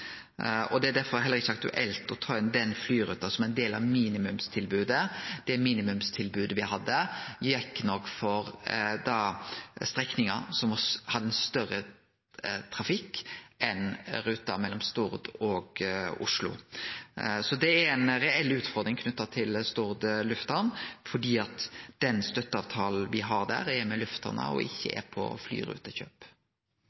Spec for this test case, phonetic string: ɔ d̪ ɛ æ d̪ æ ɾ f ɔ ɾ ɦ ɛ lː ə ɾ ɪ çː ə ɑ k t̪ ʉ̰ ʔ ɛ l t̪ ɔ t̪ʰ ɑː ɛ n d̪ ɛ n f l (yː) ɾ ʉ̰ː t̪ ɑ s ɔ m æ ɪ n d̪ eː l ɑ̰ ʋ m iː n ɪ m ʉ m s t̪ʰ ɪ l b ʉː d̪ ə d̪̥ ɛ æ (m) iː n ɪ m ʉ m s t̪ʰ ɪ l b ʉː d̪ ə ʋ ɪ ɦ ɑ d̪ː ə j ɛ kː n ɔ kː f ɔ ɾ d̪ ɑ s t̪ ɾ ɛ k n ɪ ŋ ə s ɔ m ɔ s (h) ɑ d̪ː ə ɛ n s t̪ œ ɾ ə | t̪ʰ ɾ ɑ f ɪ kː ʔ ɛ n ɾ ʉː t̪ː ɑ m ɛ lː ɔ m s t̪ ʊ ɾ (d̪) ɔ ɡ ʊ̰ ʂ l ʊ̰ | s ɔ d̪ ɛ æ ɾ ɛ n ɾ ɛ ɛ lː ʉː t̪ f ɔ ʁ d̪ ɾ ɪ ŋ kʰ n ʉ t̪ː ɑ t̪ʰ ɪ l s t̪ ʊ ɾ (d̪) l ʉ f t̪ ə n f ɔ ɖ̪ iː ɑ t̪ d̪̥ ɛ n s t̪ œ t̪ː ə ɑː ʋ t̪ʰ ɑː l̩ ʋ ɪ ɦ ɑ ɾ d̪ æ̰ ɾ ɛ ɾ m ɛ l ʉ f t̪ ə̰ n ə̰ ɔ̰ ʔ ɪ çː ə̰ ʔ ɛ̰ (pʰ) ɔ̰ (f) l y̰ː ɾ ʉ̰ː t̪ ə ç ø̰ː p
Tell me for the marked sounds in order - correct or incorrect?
correct, correct, correct, correct, correct, correct, correct

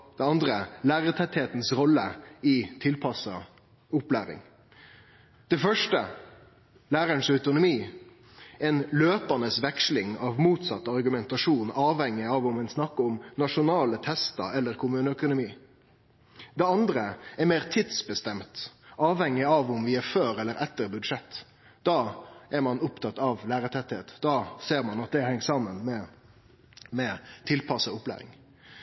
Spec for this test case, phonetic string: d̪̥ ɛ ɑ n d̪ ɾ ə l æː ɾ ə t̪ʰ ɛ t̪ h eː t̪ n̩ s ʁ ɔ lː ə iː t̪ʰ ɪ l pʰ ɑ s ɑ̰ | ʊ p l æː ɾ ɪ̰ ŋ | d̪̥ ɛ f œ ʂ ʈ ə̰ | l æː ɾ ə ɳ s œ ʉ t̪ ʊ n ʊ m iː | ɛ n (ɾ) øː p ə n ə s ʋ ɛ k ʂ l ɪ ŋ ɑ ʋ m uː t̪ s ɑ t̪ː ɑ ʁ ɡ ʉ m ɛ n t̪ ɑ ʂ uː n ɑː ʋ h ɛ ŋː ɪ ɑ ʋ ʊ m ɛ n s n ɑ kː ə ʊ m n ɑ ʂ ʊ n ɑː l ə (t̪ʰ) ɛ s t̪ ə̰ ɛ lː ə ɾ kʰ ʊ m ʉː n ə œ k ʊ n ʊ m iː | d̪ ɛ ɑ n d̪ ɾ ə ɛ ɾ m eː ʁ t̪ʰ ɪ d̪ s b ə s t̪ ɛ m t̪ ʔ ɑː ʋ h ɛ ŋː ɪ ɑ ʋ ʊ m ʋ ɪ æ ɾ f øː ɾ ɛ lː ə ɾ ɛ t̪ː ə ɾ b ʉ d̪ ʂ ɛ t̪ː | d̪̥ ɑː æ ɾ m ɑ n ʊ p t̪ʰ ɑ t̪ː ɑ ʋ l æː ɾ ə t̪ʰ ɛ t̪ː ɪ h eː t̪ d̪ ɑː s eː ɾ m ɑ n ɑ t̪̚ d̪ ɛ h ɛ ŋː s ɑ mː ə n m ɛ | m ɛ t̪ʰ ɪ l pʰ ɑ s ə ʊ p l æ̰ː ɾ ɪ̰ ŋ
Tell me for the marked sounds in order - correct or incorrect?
incorrect: l, correct

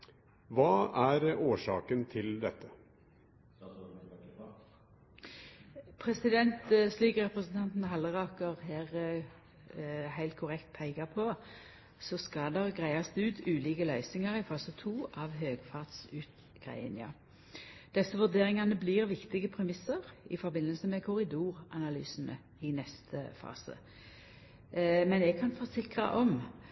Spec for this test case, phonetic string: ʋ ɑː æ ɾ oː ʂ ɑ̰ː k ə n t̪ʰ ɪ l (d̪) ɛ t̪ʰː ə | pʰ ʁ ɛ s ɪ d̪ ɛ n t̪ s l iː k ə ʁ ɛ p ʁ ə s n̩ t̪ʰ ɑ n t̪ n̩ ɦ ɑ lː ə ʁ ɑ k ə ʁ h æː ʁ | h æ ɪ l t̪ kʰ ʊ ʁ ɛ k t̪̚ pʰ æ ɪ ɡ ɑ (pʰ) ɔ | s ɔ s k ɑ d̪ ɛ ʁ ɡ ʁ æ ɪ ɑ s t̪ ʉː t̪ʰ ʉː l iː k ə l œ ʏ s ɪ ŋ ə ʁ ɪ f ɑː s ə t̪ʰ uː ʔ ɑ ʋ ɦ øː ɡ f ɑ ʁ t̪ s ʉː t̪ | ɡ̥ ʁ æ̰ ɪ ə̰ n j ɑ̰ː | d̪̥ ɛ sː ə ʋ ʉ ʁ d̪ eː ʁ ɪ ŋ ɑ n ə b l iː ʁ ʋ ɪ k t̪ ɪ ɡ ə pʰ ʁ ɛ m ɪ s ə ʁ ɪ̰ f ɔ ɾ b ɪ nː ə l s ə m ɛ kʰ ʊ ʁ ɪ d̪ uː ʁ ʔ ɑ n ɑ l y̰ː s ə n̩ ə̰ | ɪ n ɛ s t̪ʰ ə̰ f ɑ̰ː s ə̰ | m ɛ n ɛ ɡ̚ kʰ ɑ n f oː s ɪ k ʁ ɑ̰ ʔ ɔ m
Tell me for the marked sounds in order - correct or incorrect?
correct, correct

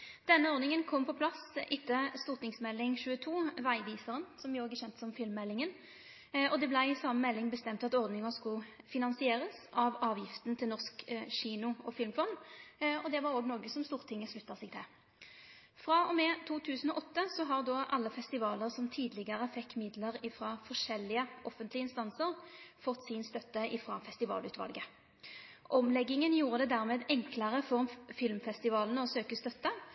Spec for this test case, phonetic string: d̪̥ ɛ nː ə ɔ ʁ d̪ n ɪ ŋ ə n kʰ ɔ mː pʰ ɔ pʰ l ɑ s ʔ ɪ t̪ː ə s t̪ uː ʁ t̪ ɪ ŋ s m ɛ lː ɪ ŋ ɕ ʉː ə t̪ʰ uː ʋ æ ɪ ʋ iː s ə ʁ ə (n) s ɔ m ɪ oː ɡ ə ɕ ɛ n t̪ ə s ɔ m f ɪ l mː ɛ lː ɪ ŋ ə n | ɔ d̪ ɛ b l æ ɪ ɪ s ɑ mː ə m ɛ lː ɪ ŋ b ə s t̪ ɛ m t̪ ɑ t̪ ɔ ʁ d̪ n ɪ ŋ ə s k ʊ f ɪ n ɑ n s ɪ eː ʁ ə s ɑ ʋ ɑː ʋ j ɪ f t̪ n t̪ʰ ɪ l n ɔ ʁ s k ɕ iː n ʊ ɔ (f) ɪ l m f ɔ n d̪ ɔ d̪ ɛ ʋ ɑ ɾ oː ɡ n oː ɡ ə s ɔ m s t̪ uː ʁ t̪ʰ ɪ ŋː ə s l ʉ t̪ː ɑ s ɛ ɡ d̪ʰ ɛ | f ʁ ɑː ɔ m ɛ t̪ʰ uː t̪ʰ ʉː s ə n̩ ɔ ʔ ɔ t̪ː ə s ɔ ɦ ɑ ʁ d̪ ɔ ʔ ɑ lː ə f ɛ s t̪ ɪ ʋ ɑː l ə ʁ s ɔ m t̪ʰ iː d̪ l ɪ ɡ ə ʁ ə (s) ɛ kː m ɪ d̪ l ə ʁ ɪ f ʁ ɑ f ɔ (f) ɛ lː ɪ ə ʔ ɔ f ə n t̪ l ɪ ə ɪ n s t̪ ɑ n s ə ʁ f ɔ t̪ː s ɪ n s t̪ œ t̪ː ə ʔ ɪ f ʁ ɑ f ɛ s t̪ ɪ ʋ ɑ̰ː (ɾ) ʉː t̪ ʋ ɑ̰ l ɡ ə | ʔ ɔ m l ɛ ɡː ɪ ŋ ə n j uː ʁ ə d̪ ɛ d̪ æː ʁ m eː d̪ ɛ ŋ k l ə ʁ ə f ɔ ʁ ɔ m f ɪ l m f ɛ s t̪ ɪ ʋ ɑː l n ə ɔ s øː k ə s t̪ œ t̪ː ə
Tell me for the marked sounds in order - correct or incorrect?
correct, correct, incorrect: f, incorrect: ʂ, incorrect: l

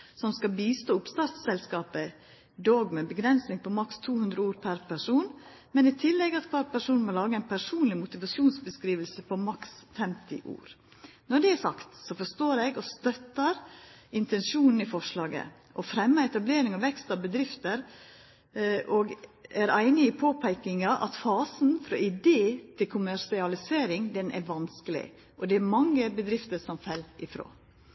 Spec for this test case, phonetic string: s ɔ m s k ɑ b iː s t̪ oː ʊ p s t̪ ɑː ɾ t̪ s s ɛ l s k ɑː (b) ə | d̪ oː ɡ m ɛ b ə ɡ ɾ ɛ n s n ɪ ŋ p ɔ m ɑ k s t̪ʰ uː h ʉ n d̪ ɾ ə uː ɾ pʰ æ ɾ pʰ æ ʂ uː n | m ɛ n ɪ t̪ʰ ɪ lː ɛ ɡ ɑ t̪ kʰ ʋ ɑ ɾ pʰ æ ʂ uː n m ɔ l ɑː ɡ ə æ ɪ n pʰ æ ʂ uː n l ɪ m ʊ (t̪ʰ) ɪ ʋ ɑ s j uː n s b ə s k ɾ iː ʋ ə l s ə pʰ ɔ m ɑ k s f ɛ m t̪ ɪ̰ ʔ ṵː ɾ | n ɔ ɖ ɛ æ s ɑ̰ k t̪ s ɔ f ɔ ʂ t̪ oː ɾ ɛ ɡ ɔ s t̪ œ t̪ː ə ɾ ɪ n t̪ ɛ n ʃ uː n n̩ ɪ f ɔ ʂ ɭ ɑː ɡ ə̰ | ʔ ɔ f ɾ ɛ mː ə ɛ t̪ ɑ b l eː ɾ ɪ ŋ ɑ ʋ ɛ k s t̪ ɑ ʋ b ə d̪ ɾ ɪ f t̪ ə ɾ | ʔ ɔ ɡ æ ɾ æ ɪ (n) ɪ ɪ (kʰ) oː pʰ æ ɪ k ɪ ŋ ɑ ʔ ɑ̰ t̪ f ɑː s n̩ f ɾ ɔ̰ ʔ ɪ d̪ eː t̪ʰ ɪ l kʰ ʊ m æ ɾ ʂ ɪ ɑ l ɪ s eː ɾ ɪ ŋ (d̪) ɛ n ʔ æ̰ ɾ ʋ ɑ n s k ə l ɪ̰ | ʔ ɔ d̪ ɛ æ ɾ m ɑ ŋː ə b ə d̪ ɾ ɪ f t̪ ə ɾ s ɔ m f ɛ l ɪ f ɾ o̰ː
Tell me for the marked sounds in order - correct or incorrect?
incorrect: p, incorrect: t̪, correct, incorrect: pʰ, correct

